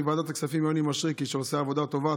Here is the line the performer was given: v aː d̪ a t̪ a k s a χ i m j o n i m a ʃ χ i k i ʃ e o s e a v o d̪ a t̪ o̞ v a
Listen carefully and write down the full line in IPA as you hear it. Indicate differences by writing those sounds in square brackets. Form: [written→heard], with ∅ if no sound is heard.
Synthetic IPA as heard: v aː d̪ a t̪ a k s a [χ→f] i m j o n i m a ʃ [χ→ʁ] i k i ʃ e o s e a v o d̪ a t̪ o̞ v a